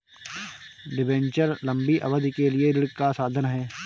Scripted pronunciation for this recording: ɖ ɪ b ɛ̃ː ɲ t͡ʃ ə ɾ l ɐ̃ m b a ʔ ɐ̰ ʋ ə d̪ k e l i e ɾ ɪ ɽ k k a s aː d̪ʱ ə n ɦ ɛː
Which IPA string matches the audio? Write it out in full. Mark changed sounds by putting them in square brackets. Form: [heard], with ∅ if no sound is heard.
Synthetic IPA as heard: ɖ ɪ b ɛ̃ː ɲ t͡ʃ ə ɾ l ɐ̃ m b [i] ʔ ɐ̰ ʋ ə d̪ k e l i e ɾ ɪ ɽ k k a s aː d̪ʱ ə n ɦ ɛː